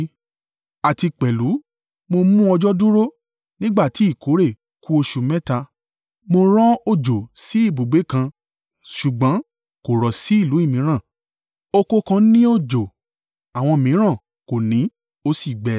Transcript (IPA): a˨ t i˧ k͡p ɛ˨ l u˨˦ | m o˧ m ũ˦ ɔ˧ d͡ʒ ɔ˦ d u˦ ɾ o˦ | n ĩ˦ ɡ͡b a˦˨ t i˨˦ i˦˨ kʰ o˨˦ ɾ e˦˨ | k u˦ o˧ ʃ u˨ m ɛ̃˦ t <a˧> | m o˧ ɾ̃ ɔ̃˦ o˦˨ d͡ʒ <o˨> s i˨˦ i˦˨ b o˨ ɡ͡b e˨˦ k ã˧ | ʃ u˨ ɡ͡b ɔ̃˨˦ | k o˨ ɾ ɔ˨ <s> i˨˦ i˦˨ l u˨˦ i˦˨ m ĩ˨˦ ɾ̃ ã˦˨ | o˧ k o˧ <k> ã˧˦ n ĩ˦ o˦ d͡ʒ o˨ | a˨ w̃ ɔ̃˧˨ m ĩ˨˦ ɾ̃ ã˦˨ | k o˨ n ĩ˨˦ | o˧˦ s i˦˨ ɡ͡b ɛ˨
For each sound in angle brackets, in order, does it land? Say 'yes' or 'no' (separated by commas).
yes, yes, yes, yes